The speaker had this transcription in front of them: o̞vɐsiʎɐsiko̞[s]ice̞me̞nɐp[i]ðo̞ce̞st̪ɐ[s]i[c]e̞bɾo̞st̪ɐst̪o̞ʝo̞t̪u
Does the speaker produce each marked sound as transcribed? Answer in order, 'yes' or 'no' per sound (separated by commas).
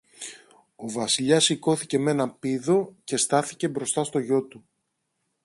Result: no, yes, no, yes